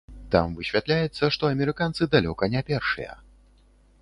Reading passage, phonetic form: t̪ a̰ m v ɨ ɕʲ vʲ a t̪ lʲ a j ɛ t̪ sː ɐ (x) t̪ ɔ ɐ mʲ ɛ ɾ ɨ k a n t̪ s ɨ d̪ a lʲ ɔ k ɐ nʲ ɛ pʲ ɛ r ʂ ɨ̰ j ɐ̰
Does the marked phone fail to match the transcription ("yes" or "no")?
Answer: yes